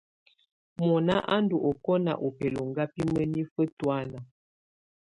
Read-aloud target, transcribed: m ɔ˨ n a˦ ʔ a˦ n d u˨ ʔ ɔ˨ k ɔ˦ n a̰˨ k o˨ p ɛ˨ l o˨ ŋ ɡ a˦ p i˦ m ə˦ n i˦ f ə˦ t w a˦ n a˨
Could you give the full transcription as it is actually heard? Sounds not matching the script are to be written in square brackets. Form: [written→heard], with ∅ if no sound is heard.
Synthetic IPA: m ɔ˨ n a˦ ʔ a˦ n d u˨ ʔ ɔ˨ k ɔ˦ n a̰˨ [k→ʔ] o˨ p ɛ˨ l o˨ ŋ ɡ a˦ p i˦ m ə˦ n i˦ f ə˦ t w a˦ n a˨